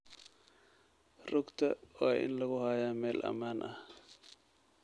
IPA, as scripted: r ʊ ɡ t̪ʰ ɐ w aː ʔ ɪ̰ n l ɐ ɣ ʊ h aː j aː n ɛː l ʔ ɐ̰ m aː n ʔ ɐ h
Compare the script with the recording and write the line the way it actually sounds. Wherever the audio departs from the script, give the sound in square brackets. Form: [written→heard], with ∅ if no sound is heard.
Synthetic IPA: r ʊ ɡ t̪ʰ ɐ w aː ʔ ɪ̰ n l ɐ ɣ ʊ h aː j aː [n→m] ɛː l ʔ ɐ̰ m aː n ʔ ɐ h